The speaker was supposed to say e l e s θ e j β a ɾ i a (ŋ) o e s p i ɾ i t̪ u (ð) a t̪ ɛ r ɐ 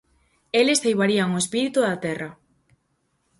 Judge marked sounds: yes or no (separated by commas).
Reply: yes, yes